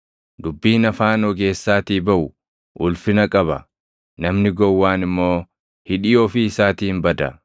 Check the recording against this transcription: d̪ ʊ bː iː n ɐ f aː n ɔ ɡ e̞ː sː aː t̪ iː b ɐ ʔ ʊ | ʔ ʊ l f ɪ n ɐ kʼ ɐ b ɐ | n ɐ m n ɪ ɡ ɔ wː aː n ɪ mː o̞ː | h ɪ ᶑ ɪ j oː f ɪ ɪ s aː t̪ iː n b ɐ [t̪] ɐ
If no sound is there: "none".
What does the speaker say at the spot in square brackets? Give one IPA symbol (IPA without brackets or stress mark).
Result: d̪